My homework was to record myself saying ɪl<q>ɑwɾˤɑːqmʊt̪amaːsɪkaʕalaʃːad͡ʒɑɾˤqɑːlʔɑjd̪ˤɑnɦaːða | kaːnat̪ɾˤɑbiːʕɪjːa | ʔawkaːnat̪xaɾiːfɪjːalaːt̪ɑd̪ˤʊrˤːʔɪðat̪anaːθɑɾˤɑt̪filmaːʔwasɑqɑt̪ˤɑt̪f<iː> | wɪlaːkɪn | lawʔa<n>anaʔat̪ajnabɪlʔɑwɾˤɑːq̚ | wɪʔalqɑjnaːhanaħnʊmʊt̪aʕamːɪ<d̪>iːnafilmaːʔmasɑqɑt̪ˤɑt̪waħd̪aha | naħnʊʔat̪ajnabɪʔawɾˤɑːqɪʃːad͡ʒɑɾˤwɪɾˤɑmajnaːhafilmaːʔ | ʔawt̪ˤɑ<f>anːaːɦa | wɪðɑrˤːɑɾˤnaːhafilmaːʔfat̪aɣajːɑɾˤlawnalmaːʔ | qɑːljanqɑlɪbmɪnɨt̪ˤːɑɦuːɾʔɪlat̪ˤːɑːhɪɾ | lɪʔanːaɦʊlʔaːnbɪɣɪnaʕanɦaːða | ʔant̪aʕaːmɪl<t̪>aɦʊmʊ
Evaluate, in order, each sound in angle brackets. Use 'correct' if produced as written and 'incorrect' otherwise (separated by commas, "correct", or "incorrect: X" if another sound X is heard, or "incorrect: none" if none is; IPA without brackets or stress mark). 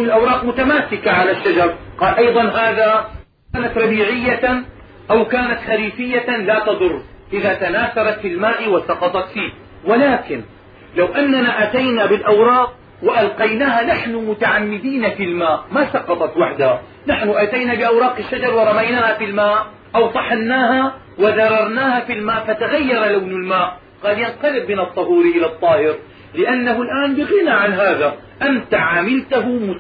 incorrect: ʔ, correct, incorrect: nː, correct, incorrect: ħ, correct